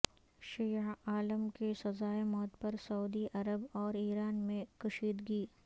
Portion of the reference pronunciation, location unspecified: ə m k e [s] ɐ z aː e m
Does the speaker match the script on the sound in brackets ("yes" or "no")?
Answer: yes